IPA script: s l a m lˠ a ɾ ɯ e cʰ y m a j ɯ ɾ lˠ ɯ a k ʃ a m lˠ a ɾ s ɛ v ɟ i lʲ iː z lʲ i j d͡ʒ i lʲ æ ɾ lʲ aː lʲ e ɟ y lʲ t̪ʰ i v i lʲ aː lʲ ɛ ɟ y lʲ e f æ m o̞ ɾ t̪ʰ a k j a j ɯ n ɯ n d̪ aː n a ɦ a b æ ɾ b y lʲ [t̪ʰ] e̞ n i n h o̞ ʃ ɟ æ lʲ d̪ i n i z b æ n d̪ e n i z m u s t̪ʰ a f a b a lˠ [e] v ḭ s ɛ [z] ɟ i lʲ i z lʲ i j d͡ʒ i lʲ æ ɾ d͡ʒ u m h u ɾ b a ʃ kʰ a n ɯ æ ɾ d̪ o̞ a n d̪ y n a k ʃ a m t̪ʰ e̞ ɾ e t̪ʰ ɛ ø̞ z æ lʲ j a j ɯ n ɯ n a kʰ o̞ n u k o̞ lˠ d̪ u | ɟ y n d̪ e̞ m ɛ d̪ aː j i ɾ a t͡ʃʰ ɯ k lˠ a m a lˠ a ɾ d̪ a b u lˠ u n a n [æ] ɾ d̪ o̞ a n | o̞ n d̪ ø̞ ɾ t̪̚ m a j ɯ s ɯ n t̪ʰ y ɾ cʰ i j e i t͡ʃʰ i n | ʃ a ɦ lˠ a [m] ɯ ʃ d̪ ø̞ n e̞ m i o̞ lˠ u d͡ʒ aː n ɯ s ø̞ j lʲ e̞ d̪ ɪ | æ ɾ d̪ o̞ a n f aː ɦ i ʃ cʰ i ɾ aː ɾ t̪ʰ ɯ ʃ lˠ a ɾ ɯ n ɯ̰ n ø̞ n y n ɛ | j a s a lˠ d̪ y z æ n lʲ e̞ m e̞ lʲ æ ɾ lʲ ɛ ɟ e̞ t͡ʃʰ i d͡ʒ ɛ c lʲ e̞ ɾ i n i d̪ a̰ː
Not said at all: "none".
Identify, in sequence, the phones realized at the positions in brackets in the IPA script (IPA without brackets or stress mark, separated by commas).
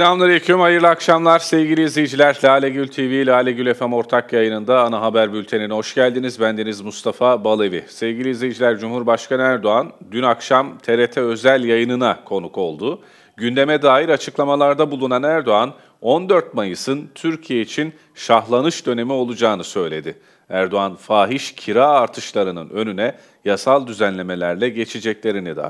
t̪ʰ, e, v, æ, n